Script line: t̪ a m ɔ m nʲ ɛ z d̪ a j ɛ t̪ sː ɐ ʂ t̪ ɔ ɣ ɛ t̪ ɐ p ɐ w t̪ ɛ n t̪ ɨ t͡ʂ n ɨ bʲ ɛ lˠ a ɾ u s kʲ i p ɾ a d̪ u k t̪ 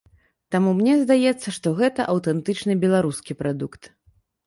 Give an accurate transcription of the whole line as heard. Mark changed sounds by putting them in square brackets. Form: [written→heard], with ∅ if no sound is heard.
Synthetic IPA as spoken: t̪ a m [ɔ→u] m nʲ ɛ z d̪ a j ɛ t̪ sː ɐ ʂ t̪ ɔ ɣ ɛ t̪ ɐ [p→ʔ] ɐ w t̪ ɛ n t̪ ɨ t͡ʂ n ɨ bʲ ɛ lˠ a ɾ u s kʲ i p ɾ a d̪ u k t̪